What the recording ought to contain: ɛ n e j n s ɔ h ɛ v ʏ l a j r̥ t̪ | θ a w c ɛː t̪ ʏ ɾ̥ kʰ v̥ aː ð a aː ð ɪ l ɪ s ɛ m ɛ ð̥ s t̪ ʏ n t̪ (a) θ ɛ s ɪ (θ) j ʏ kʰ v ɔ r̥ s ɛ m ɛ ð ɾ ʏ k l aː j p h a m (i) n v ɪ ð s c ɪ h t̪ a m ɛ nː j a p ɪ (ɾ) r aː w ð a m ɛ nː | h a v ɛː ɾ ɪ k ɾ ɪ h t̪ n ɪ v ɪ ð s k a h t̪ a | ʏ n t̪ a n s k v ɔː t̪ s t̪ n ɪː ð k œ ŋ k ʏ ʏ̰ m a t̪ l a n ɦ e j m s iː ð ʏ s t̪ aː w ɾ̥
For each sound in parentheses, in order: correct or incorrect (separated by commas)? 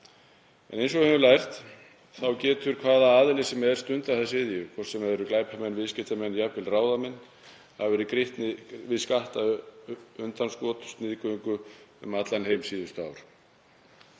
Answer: correct, incorrect, incorrect, incorrect